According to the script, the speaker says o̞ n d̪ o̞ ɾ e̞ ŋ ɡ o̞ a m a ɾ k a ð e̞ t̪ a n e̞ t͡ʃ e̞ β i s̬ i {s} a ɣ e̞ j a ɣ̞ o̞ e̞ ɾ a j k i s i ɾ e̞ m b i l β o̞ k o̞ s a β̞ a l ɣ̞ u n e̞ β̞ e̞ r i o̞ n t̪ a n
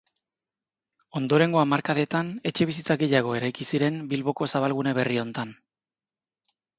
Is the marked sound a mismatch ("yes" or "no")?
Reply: yes